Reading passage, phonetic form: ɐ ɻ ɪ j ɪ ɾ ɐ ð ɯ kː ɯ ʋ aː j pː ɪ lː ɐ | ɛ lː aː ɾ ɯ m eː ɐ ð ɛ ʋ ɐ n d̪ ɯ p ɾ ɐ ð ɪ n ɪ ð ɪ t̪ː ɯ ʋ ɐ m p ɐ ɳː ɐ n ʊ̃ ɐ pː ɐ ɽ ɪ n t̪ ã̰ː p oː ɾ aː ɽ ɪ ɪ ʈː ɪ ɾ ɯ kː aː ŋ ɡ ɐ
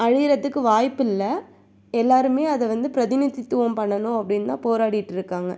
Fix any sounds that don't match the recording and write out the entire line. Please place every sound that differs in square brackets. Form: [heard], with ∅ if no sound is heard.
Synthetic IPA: ɐ ɻ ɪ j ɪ ɾ ɐ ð ɯ kː ɯ ʋ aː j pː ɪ lː ɐ | ɛ lː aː ɾ ɯ m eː ɐ ð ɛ ʋ ɐ n d̪ ɯ p ɾ ɐ ð ɪ n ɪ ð ɪ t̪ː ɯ ʋ ɐ m p ɐ ɳː ɐ n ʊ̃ ɐ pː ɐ ɽ ɪ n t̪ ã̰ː p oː ɾ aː ɽ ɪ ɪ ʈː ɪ ɾ ɯ kː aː ŋ ɡ ɐ